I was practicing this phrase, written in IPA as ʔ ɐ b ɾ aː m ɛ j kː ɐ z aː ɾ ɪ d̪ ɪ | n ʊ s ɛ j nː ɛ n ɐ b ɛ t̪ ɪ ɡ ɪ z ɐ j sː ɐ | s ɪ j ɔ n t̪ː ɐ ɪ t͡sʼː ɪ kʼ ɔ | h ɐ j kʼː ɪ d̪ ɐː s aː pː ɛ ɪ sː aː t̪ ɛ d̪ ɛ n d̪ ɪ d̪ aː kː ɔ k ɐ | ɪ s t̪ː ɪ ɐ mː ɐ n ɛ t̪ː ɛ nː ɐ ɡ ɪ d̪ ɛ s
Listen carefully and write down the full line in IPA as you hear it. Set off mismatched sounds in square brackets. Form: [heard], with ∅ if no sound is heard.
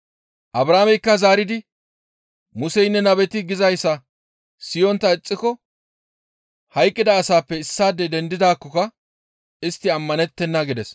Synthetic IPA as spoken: ʔ ɐ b ɾ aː m ɛ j kː ɐ z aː ɾ ɪ d̪ ɪ | [m] ʊ s ɛ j nː ɛ n ɐ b ɛ t̪ ɪ ɡ ɪ z ɐ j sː ɐ | s ɪ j ɔ n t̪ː ɐ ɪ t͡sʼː ɪ [k] ɔ | h ɐ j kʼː ɪ d̪ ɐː s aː pː ɛ ɪ sː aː [d̪] ɛ d̪ ɛ n d̪ ɪ d̪ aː kː ɔ k ɐ | ɪ s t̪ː ɪ ɐ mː ɐ n ɛ t̪ː ɛ nː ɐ ɡ ɪ d̪ ɛ s